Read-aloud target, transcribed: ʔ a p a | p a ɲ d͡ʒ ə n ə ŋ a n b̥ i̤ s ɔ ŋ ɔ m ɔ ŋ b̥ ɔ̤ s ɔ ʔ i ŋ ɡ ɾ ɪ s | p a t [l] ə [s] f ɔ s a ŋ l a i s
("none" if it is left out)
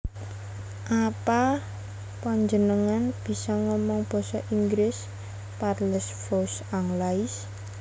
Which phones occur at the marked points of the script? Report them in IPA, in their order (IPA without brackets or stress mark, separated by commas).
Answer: l, s